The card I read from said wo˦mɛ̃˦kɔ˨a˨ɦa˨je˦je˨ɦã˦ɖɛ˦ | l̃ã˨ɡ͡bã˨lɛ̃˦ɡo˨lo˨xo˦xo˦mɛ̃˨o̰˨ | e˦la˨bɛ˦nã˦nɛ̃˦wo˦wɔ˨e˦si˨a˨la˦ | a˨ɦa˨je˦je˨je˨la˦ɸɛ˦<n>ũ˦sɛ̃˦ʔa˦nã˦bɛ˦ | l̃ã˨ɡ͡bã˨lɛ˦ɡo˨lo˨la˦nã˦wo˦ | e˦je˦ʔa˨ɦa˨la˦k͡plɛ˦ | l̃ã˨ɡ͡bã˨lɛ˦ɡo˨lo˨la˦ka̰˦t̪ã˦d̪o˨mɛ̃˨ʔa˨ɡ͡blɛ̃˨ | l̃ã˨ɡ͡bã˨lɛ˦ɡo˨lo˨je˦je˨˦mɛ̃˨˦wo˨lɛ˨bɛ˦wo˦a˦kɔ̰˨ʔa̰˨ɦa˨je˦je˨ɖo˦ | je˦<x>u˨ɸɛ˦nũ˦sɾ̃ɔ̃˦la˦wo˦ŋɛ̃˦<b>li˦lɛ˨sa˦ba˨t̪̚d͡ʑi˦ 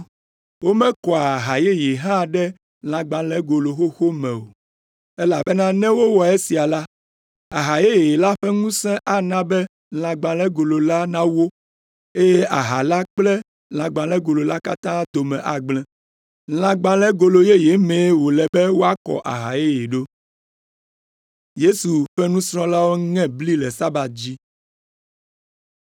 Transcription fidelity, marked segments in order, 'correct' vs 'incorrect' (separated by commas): incorrect, incorrect, correct